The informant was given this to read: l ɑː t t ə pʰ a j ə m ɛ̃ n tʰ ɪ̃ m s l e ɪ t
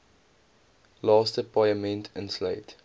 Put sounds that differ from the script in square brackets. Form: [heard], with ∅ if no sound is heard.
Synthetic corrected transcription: l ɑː [s] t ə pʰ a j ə m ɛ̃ n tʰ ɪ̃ [n] s l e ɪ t